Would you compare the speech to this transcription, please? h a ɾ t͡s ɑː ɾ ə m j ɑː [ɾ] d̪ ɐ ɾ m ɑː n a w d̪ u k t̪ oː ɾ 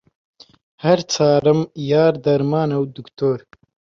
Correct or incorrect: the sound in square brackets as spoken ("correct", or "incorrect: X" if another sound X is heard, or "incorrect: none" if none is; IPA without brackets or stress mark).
correct